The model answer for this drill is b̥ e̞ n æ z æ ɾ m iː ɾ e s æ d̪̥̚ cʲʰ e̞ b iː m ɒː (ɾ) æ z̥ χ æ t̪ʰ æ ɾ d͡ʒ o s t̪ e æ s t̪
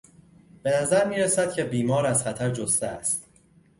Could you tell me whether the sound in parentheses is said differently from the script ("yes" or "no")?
no